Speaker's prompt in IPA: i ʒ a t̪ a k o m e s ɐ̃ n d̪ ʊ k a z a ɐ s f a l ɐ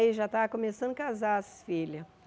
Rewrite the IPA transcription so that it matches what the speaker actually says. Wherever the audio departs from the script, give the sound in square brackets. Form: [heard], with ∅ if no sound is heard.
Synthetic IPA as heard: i ʒ a t̪ a k o m e s ɐ̃ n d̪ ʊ k a z a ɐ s f [i] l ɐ

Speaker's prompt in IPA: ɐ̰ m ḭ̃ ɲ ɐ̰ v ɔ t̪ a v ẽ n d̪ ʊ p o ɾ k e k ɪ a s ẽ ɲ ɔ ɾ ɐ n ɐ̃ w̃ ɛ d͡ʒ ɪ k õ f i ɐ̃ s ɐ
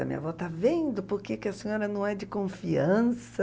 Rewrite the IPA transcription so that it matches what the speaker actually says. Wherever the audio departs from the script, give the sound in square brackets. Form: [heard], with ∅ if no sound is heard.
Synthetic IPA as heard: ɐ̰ m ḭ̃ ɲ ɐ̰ v ɔ t̪ a v ẽ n d̪ ʊ p o ɾ k e k ɪ [ɐ] s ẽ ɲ ɔ ɾ ɐ n ɐ̃ w̃ ɛ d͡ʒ ɪ k õ f i ɐ̃ s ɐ

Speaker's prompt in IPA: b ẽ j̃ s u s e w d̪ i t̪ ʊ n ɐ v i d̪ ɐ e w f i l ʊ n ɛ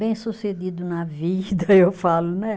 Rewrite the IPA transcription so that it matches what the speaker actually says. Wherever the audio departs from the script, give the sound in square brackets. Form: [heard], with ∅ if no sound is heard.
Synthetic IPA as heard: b ẽ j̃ s u s e [∅] d̪ i [d̪] ʊ n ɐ v i d̪ ɐ e w f [a] l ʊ n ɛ

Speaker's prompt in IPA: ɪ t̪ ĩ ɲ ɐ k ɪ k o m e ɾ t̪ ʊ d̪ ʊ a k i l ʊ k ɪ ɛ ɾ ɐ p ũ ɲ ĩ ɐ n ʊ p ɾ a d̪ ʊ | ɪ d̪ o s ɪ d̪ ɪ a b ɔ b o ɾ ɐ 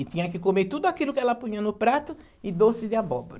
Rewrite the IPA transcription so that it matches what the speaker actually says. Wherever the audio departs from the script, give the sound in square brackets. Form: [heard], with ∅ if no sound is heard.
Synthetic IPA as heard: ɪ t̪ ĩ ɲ ɐ k ɪ k o m e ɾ t̪ [u] d̪ ʊ a k i l ʊ k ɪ ɛ [l] ɐ p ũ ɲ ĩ ɐ n ʊ p ɾ a [t̪] ʊ | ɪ d̪ o s ɪ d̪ ɪ a b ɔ b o ɾ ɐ

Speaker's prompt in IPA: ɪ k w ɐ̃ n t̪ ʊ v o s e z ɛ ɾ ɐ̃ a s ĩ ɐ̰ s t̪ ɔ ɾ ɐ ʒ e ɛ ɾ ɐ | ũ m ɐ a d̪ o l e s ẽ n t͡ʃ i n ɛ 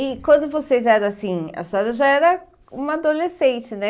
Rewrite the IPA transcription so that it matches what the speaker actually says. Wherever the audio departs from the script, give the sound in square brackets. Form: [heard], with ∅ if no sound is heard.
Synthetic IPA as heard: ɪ k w ɐ̃ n [d̪] ʊ v o s e z ɛ ɾ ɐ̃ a s ĩ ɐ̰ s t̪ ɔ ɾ ɐ ʒ [a] ɛ ɾ ɐ | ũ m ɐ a d̪ o l e s ẽ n t͡ʃ [ɪ] n ɛ

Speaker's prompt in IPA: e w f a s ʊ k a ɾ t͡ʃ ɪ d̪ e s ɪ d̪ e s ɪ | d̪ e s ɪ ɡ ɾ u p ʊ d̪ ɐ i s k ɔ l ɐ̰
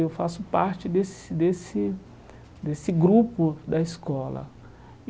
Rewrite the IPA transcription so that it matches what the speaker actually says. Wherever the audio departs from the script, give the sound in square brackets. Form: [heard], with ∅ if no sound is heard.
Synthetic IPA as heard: e w f a s ʊ [p] a ɾ t͡ʃ ɪ d̪ e s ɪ d̪ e s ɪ | d̪ e s ɪ ɡ ɾ u p ʊ d̪ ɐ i s k ɔ l ɐ̰

